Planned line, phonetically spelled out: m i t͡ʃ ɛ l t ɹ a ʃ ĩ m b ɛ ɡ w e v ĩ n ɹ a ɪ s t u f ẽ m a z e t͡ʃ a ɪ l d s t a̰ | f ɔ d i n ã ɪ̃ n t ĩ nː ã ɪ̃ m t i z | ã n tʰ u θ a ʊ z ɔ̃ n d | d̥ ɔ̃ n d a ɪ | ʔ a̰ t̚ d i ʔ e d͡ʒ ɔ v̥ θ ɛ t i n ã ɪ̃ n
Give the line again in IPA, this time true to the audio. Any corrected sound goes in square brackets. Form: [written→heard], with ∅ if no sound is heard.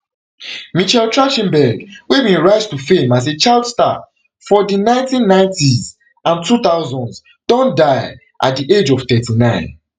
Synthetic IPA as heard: m i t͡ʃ ɛ l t ɹ a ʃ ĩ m b ɛ ɡ w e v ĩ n ɹ a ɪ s t u f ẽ m a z e t͡ʃ a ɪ l d s t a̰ | f ɔ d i n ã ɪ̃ n t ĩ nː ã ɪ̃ [m→n] t i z | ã n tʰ u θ a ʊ z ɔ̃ n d | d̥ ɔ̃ n d a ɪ | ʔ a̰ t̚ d i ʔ e d͡ʒ ɔ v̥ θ ɛ t i n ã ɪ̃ n